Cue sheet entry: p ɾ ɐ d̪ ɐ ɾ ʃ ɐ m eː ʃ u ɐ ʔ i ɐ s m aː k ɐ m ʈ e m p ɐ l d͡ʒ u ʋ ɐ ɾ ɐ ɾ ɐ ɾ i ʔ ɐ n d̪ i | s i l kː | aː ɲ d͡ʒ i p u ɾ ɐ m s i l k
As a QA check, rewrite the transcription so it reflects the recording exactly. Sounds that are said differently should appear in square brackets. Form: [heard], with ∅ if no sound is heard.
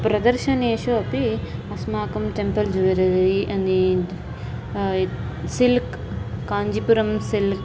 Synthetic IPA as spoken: p ɾ ɐ d̪ ɐ ɾ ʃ ɐ [n] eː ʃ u ɐ [p] i ɐ s m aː k ɐ m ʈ e m p ɐ l d͡ʒ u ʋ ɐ ɾ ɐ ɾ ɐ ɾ i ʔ ɐ n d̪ i | s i l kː | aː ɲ d͡ʒ i p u ɾ ɐ m s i l k